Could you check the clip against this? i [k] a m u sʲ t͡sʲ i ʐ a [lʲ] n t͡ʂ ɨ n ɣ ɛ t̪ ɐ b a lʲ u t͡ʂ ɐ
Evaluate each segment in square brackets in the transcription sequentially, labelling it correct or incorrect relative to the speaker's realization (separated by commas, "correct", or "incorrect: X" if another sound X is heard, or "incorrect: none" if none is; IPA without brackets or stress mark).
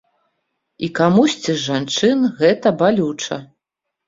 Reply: correct, incorrect: none